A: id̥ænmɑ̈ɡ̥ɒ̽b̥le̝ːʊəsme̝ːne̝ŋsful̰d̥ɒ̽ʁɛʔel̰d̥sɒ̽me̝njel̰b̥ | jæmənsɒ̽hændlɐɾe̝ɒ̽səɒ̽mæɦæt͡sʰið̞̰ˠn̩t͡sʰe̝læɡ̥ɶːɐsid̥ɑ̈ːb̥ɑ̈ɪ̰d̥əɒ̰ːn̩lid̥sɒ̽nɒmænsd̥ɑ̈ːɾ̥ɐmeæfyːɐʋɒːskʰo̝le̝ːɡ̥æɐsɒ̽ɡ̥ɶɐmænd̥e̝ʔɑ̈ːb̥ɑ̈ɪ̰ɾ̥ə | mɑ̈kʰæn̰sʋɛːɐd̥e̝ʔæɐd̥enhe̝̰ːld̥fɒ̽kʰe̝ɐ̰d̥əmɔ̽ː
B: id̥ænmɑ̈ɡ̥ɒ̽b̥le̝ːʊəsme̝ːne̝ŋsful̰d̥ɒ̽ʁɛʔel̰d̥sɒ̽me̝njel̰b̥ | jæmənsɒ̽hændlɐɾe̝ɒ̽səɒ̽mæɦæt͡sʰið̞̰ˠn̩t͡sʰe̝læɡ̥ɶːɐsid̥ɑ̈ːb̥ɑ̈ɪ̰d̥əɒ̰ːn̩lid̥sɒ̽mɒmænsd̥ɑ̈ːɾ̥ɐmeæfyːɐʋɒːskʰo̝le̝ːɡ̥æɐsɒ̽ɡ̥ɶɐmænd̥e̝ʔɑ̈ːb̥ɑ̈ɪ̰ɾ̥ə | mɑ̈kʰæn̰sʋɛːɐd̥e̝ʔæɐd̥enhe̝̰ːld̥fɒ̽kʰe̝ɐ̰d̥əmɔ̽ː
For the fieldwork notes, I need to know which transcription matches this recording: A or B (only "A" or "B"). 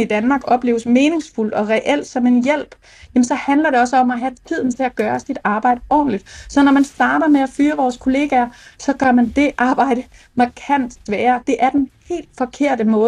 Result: A